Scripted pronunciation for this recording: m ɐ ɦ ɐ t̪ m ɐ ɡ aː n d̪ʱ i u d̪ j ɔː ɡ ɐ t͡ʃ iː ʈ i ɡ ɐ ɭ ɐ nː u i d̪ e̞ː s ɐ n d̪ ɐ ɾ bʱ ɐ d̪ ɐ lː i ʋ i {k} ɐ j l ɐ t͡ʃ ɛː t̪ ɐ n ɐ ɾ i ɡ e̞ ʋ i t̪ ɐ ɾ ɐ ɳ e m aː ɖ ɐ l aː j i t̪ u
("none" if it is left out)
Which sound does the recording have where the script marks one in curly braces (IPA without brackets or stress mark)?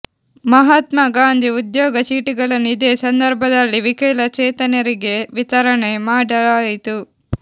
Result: k